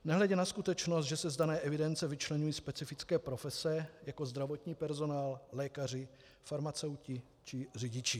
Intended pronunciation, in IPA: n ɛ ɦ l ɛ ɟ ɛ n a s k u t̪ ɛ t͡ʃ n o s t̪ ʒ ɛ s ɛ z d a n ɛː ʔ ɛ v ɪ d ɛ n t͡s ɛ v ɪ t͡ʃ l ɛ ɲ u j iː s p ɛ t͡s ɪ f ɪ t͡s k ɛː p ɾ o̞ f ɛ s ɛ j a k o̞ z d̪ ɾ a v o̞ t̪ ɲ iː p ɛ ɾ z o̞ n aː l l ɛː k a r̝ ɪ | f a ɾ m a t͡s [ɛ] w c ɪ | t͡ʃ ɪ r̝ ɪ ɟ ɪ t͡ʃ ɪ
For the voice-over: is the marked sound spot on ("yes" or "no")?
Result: yes